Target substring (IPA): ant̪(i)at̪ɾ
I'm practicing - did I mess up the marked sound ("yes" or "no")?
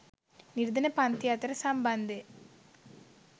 yes